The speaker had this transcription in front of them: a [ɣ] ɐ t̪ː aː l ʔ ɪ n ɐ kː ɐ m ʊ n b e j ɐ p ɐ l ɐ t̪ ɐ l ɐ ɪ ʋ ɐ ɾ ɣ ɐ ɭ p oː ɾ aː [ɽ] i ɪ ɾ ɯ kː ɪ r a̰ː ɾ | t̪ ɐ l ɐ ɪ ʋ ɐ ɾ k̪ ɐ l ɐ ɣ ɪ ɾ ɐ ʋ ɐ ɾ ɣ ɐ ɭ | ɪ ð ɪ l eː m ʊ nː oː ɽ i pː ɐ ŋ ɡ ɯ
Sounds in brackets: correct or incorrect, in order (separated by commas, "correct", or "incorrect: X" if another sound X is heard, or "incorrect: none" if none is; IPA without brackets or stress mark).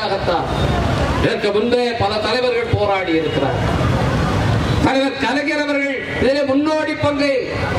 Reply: correct, correct